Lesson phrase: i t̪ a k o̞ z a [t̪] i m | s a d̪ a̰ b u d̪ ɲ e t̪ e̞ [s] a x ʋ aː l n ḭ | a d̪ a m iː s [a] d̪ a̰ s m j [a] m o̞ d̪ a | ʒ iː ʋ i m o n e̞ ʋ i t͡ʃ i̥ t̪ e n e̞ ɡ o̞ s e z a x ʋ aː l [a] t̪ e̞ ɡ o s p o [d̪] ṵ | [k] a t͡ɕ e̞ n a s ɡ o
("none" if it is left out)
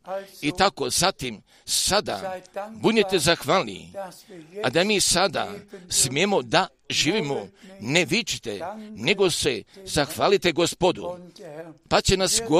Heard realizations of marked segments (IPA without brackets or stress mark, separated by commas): t̪, z, a, e, i, d̪, p